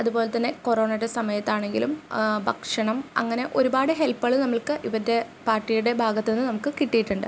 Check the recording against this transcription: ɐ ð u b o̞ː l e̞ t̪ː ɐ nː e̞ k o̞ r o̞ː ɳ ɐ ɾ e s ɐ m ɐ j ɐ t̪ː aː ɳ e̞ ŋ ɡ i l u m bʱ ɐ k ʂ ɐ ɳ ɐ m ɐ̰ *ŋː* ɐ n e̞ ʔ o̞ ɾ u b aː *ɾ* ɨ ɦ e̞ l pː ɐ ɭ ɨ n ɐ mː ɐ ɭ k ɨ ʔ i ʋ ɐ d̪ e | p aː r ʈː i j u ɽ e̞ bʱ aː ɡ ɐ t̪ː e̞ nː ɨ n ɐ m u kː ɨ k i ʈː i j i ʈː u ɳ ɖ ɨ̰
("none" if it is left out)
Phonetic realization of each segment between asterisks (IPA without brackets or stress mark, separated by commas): ŋː, ɽ